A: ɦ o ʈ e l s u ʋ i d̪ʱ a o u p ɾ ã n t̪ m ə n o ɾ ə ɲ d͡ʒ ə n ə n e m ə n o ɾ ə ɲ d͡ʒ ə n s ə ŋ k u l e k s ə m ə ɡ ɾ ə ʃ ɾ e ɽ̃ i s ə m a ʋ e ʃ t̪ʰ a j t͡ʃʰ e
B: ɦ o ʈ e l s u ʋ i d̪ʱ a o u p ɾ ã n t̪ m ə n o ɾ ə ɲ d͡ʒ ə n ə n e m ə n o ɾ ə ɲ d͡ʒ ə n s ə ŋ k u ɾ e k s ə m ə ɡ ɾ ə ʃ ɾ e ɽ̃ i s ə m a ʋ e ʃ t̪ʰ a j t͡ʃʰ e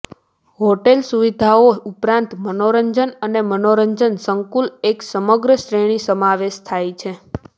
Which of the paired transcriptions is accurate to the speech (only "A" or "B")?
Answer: A